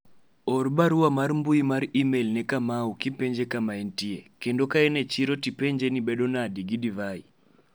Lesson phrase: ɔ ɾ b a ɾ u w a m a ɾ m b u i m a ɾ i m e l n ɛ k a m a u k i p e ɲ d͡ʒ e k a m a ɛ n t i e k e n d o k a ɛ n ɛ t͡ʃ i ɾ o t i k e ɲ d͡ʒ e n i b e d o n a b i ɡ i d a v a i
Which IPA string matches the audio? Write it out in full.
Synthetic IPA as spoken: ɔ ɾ b a ɾ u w a m a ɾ m b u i m a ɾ i m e l n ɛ k a m a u k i p e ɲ d͡ʒ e k a m a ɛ n t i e k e n d o k a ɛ n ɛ t͡ʃ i ɾ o t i p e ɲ d͡ʒ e n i b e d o n a d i ɡ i d i v a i